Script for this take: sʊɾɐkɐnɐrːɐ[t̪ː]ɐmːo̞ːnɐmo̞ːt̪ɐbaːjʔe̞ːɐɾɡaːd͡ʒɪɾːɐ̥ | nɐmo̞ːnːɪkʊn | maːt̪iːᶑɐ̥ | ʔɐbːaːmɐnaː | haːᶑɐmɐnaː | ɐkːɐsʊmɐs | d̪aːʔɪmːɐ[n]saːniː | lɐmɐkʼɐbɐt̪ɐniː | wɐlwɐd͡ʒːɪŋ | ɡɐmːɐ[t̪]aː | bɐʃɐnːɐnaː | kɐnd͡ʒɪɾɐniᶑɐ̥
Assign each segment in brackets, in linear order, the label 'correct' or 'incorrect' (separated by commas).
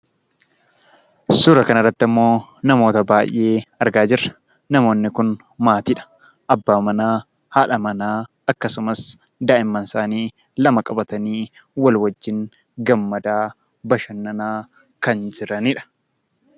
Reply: correct, correct, incorrect